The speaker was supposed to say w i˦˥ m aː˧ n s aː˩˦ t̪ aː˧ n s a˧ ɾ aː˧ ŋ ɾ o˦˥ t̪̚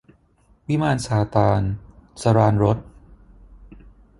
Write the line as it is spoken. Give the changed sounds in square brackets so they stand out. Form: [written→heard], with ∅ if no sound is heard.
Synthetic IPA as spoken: w i˦˥ m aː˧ n s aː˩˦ t̪ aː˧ n s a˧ ɾ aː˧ [ŋ→n] ɾ o˦˥ t̪̚